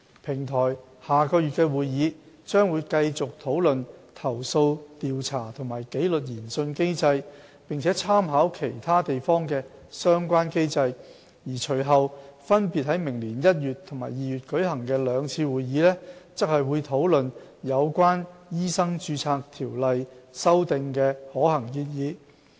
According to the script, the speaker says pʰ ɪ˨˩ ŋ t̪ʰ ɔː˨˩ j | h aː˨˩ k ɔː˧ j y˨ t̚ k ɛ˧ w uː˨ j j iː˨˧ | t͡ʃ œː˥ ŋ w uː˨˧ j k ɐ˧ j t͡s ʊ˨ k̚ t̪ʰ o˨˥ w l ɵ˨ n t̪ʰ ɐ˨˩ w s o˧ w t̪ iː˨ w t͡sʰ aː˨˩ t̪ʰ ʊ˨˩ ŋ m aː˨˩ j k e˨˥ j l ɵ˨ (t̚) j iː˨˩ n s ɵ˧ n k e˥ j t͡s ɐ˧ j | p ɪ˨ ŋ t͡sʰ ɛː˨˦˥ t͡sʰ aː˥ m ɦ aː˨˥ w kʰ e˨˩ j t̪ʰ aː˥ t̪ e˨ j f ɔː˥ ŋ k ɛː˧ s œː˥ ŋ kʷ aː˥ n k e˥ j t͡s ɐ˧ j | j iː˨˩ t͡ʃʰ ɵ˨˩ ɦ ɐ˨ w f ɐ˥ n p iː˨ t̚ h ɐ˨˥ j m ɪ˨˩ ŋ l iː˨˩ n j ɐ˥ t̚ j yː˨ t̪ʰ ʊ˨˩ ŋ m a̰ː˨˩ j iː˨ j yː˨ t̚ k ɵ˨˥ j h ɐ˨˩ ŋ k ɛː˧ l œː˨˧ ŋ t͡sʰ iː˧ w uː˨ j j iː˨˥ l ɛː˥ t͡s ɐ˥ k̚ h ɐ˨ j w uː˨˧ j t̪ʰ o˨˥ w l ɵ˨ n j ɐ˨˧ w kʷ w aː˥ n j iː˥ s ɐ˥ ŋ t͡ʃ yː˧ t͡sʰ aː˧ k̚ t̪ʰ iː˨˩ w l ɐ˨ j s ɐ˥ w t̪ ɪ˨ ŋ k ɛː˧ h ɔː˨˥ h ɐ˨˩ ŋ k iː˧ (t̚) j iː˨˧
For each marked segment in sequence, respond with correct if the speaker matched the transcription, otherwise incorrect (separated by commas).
correct, correct